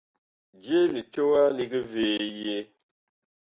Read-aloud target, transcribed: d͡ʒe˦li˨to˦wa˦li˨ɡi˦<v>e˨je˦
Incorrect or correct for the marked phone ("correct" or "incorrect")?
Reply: correct